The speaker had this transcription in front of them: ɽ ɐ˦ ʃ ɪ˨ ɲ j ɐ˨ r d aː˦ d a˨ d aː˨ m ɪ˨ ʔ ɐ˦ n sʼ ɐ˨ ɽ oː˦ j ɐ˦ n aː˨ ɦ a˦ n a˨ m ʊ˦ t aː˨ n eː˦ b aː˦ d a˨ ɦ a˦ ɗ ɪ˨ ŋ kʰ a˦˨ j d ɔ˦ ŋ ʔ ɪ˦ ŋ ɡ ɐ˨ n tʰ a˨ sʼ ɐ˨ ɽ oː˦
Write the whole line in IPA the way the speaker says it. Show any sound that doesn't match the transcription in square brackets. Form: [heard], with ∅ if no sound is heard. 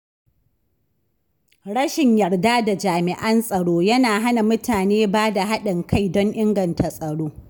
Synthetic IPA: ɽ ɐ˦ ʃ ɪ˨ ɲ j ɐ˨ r d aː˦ d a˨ [d͡ʒ] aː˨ m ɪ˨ ʔ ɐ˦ n sʼ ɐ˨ ɽ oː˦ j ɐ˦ n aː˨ ɦ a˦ n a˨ m ʊ˦ t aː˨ n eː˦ b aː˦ d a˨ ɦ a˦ ɗ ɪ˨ ŋ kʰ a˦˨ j d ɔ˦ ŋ ʔ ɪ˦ ŋ ɡ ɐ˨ n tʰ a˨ sʼ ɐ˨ ɽ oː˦